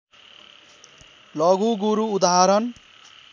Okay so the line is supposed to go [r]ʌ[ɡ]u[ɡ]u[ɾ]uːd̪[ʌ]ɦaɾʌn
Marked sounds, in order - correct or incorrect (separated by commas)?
incorrect, correct, correct, correct, incorrect